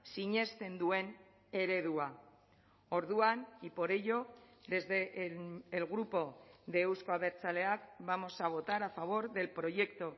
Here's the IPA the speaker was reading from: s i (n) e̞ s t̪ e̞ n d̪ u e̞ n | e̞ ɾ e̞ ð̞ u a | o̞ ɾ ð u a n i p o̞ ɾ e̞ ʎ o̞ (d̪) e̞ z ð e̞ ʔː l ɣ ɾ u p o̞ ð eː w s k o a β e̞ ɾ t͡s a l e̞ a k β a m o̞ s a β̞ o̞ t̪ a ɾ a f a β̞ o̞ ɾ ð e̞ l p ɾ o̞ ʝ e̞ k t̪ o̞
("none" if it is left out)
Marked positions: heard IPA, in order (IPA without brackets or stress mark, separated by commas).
ɲ, d̪